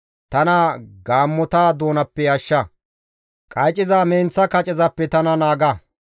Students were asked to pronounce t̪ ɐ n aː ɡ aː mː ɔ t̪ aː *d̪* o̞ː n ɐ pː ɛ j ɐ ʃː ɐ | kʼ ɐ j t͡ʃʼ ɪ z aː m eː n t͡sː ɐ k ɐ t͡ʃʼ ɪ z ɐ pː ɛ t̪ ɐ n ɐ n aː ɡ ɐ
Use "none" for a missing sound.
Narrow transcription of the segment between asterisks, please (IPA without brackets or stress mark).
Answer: d̪